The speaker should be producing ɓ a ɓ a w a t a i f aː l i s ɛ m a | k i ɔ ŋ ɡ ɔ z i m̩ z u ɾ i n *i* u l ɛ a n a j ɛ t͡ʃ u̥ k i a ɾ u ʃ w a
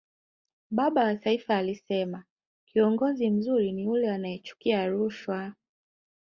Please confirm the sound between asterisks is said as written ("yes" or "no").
yes